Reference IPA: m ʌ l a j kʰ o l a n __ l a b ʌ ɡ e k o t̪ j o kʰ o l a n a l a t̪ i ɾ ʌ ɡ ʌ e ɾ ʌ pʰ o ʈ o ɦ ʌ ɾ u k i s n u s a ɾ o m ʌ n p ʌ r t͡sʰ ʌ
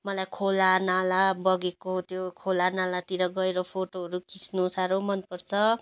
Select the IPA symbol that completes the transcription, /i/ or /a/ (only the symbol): a